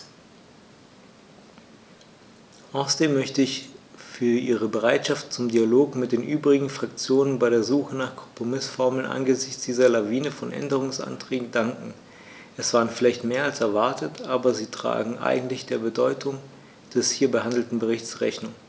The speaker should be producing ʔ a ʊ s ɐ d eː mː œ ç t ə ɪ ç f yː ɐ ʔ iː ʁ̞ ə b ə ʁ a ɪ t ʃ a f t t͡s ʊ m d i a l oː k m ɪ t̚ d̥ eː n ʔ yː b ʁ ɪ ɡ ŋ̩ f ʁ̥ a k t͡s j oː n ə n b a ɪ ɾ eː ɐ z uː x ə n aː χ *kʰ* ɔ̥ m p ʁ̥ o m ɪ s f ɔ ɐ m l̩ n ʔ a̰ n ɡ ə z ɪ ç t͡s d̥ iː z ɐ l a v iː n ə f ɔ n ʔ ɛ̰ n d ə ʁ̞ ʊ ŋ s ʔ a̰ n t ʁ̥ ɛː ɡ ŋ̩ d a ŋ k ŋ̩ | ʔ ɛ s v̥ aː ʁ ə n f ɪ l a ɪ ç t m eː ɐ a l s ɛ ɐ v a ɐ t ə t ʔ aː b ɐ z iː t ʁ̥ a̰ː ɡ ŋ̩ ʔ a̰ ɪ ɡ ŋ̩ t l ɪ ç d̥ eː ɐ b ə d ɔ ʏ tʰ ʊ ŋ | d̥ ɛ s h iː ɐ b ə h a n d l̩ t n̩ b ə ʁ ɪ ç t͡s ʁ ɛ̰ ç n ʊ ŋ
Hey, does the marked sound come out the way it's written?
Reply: yes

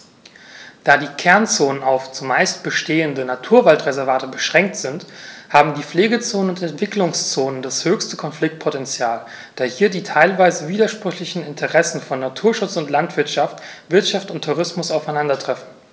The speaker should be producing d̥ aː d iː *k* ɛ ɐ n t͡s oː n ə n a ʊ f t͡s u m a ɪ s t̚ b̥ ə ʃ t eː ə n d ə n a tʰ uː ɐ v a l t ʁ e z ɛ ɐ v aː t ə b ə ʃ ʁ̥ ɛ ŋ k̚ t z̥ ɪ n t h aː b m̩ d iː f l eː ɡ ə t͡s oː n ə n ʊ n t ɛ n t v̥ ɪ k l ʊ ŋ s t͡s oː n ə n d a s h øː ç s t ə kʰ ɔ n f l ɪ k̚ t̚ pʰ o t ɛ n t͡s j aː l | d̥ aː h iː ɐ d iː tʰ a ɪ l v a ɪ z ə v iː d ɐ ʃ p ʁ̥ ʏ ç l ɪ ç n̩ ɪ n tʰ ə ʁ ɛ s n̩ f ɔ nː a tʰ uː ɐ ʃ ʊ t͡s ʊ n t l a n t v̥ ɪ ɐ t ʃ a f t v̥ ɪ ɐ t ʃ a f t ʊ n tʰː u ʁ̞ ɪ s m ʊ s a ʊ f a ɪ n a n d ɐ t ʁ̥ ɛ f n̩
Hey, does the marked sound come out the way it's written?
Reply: no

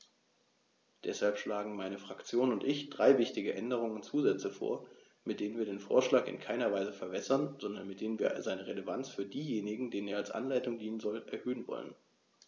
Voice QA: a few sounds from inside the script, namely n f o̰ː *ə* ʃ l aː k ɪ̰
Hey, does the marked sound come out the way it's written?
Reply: no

